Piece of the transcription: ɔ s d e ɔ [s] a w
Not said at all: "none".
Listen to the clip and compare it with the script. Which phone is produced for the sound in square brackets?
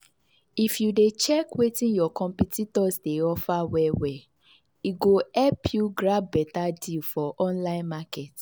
f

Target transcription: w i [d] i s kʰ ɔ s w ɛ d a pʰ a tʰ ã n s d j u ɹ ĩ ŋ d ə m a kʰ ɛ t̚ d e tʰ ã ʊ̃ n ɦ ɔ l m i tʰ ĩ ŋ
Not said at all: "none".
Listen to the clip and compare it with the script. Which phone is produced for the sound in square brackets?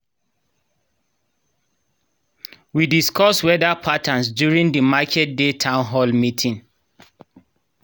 d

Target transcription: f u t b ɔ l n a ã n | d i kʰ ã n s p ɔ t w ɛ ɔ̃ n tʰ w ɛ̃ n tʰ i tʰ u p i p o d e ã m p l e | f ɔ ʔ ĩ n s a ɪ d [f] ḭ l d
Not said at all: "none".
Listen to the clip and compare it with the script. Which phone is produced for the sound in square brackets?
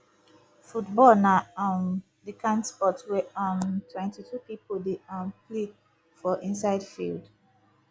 f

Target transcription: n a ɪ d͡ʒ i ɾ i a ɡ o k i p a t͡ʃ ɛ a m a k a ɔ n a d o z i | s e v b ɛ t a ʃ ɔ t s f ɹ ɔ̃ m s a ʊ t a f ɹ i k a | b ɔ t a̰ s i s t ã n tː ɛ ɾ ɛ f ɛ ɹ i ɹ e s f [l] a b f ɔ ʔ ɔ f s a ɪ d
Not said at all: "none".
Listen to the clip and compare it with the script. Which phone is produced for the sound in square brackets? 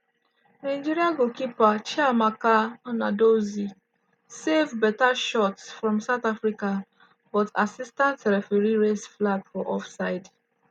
l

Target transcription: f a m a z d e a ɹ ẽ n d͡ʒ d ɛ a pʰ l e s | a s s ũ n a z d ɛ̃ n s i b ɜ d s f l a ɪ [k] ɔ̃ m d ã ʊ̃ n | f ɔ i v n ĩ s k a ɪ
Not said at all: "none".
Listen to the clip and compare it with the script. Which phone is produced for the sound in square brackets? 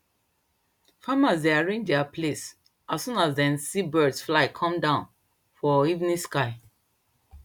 kʰ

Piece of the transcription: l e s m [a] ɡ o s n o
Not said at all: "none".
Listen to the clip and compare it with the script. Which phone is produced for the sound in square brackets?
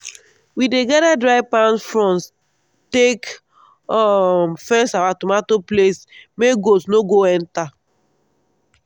e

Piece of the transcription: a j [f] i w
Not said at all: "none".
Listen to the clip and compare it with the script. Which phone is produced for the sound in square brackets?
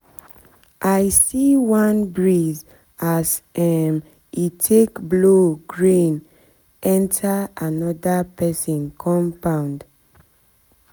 s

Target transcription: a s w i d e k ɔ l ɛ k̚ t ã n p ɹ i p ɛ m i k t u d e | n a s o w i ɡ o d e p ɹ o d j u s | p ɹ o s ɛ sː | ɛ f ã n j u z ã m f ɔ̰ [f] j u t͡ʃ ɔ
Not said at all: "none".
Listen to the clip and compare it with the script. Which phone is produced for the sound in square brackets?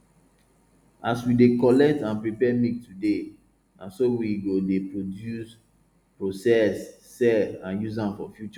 f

